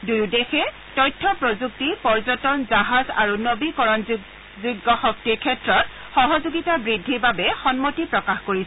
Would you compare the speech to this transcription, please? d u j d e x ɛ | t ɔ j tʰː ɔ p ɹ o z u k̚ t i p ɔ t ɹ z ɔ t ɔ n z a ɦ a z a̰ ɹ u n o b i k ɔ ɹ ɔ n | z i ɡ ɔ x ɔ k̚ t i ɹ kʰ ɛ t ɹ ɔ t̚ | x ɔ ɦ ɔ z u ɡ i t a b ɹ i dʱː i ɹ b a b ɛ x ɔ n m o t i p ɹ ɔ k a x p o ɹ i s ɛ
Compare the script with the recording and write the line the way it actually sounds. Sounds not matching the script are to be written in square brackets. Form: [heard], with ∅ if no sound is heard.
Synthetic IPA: d u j d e x ɛ | t ɔ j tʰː ɔ p ɹ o z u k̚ t i p ɔ [∅] ɹ z ɔ t ɔ n z a ɦ a z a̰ ɹ u n o b i k ɔ ɹ ɔ n | z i ɡ ɔ x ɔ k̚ t i ɹ kʰ ɛ t ɹ ɔ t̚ | x ɔ ɦ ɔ z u ɡ i t a b ɹ i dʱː i ɹ b a b ɛ x ɔ n m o t i p ɹ ɔ k a x [k] o ɹ i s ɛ